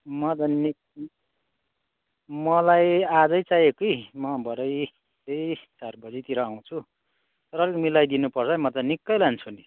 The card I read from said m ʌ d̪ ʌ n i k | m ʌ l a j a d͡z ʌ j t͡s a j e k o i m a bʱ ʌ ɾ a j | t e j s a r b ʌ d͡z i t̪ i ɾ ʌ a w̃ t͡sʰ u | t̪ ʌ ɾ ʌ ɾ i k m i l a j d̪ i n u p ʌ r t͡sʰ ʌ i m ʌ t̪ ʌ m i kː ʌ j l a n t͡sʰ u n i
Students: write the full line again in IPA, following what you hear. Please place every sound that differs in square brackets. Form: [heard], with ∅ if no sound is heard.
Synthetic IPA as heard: m ʌ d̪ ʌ n i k | m ʌ l a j a d͡z ʌ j t͡s a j e k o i m [ʌ] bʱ ʌ ɾ [ʌ] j | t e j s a r b ʌ d͡z i t̪ i ɾ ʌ a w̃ t͡sʰ u | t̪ ʌ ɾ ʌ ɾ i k m i l a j d̪ i n u p ʌ r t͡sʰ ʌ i m ʌ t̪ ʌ [n] i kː ʌ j l a n t͡sʰ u n i

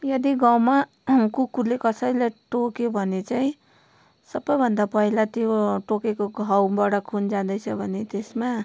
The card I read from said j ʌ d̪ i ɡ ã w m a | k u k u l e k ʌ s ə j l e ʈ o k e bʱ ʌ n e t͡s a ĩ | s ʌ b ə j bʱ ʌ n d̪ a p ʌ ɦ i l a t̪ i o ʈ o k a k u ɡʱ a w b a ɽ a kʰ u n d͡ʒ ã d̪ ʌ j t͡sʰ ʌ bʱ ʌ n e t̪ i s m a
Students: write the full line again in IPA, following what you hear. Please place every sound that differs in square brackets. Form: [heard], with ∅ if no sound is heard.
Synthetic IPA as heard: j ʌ d̪ i ɡ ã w m a | k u k u l e k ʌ s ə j l e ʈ o k e bʱ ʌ n e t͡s a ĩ | s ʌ b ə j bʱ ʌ n d̪ a p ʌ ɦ i l a t̪ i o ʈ o k [e] k [o] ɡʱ a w b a ɽ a kʰ u n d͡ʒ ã d̪ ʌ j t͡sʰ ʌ bʱ ʌ n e t̪ [e] s m a

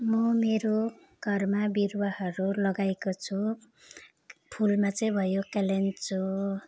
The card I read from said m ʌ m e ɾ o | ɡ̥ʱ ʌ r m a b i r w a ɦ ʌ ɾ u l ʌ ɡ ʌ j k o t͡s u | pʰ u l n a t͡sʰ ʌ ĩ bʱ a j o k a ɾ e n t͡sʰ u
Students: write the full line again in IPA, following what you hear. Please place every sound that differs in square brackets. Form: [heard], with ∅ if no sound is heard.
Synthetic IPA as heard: m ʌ m e ɾ o | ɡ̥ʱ ʌ r m a b i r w a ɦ ʌ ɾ u l ʌ ɡ [a] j k o [t͡sʰ] u | pʰ u l [m] a [t͡s] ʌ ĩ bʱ [ʌ] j o k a [l] e n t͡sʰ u

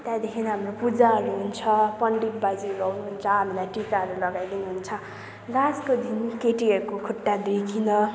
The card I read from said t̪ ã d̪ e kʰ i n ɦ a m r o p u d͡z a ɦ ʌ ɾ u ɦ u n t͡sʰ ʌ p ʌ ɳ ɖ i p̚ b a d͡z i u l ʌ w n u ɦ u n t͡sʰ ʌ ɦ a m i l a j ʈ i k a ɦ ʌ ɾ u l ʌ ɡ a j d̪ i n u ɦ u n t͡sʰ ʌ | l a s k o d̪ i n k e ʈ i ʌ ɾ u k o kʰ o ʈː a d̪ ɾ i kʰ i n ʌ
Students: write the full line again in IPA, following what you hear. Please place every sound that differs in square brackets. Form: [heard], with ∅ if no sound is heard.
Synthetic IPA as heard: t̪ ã d̪ e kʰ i n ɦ a m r o p u d͡z a ɦ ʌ ɾ u ɦ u n t͡sʰ ʌ p ʌ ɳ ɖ i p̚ b a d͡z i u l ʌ w n u ɦ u n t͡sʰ ʌ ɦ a m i l a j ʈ i k a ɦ ʌ ɾ u l ʌ ɡ a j d̪ i n u ɦ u n t͡sʰ ʌ | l a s k o d̪ i n k e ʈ i ʌ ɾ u k o kʰ [u] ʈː a d̪ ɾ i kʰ i n ʌ

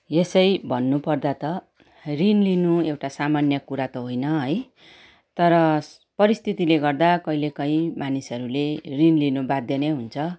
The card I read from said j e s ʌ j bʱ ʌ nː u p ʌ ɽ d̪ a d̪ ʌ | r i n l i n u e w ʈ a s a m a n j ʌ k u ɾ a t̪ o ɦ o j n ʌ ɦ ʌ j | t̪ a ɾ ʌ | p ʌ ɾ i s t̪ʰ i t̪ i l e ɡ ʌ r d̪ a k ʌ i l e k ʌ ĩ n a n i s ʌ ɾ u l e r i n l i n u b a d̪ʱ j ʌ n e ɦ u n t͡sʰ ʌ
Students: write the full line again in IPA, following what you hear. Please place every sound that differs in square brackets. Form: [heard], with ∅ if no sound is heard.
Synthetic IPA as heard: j e s ʌ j bʱ ʌ nː u p ʌ [r] d̪ a [t̪] ʌ | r i n l i n u e w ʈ a s a m a n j ʌ k u ɾ a t̪ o ɦ o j n ʌ ɦ ʌ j | t̪ [ʌ] ɾ ʌ | p ʌ ɾ i s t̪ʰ i t̪ i l e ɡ ʌ r d̪ a k ʌ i l e k ʌ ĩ [m] a n i s ʌ ɾ u l e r i n l i n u b a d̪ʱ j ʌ n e ɦ u n t͡sʰ ʌ

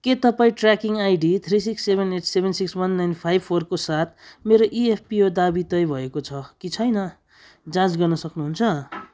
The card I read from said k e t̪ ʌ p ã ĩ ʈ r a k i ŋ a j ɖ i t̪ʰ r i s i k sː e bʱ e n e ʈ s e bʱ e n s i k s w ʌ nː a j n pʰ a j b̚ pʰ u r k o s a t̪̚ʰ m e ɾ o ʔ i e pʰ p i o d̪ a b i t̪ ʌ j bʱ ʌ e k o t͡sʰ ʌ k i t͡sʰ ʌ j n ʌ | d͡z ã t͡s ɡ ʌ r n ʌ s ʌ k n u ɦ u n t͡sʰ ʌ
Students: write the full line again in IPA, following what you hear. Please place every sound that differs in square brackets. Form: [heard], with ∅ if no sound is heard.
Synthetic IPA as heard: k e t̪ ʌ p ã ĩ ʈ r a k i ŋ a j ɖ i t̪ʰ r i s i k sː e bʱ e n e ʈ s e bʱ e n s i k s w ʌ nː a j n pʰ a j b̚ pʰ [o] r k o s a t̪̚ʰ m e ɾ o ʔ i e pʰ p i o d̪ a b i t̪ ʌ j bʱ ʌ e k o t͡sʰ ʌ k i t͡sʰ ʌ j n ʌ | d͡z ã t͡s ɡ ʌ r n ʌ s ʌ k n u ɦ u n t͡sʰ ʌ

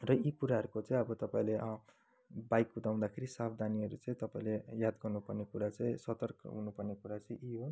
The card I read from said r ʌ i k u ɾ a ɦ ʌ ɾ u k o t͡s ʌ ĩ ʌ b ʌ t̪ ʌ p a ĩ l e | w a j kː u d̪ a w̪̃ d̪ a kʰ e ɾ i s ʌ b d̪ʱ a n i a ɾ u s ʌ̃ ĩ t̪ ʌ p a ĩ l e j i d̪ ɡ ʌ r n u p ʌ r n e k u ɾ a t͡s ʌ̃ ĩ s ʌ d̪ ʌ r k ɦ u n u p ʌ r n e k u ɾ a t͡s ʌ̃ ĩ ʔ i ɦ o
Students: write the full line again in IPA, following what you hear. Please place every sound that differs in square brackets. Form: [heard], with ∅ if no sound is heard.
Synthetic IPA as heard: r ʌ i k u ɾ a ɦ ʌ ɾ u k o t͡s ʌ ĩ ʌ b ʌ t̪ ʌ p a ĩ l e | [b] a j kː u d̪ a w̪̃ d̪ a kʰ e ɾ i s [a] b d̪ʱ a n i [ʌ] ɾ u [t͡s] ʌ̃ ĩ t̪ ʌ p a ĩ l e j [a] d̪ ɡ ʌ r n u p ʌ r n e k u ɾ a t͡s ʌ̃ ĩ s ʌ [t̪] ʌ r k ɦ u n u p ʌ r n e k u ɾ a t͡s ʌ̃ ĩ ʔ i ɦ o

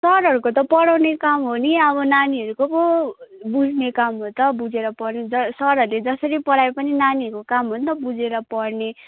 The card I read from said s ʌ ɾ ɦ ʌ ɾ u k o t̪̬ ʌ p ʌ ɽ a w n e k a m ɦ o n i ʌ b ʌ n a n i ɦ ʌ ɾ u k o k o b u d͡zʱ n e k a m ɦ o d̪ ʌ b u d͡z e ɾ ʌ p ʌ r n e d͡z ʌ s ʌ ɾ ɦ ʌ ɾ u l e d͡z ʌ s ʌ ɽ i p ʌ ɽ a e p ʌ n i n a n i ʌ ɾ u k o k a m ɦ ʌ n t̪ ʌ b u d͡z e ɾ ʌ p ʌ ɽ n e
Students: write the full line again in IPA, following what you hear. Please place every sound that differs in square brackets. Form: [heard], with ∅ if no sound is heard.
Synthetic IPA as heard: s ʌ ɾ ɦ ʌ ɾ u k o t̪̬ ʌ p ʌ ɽ a w n e k a m ɦ o n i ʌ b ʌ n a n i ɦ ʌ ɾ u k o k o b u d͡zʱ n e k a m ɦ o [t̪] ʌ b u d͡z e ɾ ʌ p ʌ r n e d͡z ʌ s ʌ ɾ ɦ ʌ ɾ u l e d͡z ʌ s ʌ [ɾ] i p ʌ ɽ a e p ʌ n i n a n i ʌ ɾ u k o k a m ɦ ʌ n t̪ ʌ b u d͡z e ɾ ʌ p ʌ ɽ n e

